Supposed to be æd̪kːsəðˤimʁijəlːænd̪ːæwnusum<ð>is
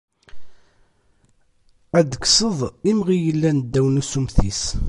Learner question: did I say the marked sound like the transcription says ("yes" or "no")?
no